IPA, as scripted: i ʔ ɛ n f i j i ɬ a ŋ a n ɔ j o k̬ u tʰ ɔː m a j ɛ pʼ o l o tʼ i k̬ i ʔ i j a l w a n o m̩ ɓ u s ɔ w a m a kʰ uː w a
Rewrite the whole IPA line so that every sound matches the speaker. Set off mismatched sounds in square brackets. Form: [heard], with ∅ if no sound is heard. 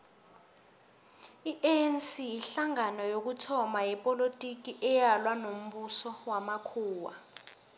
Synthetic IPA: i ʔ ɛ n [s] i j i ɬ a ŋ a n ɔ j o k̬ u tʰ [ɔ] m a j ɛ pʼ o l o tʼ i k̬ i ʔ [ɛ] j a l w a n o m̩ ɓ u s ɔ w a m a kʰ uː w a